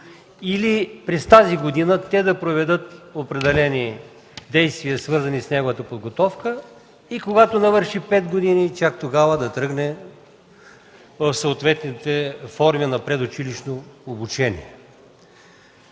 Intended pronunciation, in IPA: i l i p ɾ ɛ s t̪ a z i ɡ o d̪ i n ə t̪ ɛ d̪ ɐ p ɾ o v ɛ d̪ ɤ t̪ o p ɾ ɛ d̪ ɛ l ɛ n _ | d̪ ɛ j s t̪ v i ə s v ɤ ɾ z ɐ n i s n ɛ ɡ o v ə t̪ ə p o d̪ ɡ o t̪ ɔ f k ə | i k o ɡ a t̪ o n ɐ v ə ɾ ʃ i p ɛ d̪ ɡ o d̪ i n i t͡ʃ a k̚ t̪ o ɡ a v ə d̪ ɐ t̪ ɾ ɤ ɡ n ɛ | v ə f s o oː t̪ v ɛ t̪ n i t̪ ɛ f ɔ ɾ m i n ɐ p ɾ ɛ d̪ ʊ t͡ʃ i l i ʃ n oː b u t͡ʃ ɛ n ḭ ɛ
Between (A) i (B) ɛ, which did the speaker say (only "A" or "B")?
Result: A